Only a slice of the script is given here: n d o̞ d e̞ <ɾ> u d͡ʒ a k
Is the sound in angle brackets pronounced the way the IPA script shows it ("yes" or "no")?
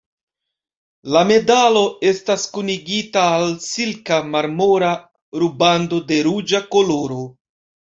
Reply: yes